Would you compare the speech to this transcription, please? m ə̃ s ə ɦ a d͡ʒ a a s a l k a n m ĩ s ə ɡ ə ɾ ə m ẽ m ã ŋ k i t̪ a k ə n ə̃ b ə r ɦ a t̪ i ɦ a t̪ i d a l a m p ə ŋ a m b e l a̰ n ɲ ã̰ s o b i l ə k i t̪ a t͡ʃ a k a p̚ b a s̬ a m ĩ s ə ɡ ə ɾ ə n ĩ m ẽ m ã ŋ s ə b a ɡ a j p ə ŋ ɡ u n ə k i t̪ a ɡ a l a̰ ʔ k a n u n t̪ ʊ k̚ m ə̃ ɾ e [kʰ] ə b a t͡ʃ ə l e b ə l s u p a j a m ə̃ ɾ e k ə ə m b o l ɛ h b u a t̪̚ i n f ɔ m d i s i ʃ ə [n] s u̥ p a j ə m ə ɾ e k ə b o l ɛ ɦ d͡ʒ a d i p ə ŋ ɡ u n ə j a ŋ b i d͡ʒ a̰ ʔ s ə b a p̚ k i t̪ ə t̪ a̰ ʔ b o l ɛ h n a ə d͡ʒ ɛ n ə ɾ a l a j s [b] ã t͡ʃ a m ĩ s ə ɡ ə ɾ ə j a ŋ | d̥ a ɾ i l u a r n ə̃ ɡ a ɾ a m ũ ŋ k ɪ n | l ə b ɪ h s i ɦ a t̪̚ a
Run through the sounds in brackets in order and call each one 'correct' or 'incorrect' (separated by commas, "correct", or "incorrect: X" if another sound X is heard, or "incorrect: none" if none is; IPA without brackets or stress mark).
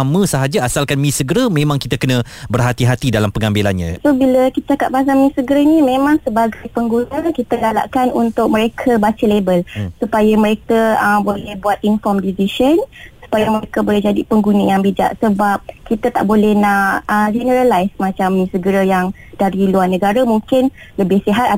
correct, correct, incorrect: m